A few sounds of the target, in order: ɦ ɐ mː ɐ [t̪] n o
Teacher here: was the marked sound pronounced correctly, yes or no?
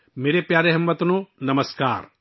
yes